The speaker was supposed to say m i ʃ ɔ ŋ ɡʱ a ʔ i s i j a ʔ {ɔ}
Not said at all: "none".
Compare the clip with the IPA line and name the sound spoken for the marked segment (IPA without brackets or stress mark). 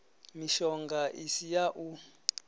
u